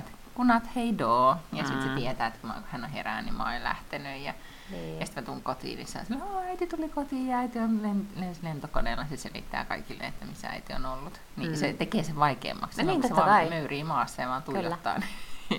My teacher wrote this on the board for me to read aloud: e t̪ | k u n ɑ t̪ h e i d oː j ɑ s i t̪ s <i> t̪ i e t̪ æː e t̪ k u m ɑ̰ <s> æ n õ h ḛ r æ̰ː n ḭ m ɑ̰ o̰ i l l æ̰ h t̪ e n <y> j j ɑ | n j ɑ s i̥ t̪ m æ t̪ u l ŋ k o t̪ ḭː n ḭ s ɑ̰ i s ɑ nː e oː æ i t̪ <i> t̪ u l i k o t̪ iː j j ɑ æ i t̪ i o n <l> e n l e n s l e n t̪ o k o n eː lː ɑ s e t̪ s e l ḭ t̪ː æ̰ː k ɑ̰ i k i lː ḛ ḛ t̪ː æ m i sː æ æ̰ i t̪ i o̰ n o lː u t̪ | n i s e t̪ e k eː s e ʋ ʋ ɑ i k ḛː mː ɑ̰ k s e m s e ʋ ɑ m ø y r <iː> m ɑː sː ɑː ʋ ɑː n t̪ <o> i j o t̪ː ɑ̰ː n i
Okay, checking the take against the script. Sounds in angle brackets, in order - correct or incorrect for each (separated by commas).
incorrect, incorrect, correct, correct, correct, correct, incorrect